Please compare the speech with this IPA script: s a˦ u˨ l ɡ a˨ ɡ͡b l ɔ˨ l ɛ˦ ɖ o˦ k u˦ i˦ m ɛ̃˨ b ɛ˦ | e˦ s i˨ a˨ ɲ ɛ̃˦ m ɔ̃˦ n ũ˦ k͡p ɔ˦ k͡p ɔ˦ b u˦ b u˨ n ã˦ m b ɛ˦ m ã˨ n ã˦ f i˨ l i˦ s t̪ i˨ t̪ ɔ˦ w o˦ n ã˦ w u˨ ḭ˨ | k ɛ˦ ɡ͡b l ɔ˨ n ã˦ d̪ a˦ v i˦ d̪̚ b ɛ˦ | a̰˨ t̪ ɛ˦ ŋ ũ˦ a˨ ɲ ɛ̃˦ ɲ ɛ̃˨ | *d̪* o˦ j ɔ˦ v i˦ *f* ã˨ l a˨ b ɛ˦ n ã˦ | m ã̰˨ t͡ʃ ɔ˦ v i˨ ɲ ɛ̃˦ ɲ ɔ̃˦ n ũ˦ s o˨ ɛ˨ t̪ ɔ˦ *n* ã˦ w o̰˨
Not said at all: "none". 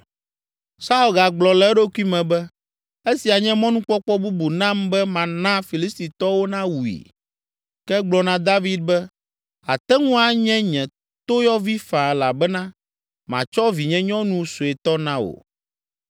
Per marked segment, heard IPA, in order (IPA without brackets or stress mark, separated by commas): t̪, f, n